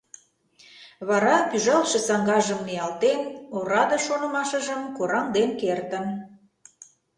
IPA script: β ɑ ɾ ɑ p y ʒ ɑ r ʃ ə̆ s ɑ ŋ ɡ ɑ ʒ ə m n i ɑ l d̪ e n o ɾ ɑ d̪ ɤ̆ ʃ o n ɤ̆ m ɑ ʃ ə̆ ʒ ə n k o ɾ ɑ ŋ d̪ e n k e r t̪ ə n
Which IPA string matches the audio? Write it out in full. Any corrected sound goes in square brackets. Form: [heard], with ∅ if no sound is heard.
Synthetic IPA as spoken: β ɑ ɾ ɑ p y ʒ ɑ [l] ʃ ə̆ s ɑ ŋ ɡ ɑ ʒ ə m n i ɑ l [t̪] e n o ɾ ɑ d̪ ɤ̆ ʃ o n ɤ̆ m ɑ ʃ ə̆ ʒ ə [m] k o ɾ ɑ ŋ d̪ e n k e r t̪ ə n